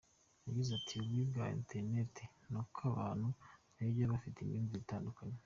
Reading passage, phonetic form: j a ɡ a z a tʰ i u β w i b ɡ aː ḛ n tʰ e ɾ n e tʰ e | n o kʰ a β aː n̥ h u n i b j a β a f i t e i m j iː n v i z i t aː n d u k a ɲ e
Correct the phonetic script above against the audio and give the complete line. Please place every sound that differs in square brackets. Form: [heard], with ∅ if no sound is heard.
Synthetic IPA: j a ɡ [i] z a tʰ i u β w i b ɡ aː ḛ n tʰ e ɾ n e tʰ e | n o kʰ a β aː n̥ h u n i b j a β a f i t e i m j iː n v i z i t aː n d u k a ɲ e